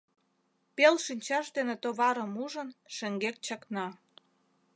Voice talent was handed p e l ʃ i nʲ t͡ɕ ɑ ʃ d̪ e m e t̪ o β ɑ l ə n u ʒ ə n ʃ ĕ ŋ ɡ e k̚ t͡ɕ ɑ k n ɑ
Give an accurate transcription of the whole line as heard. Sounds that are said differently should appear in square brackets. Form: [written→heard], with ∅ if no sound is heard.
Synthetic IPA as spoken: p e l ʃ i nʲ t͡ɕ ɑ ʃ d̪ e [m→n] e t̪ o β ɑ [l→ɾ] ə [n→m] u ʒ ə n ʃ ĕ ŋ ɡ e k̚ t͡ɕ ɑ k n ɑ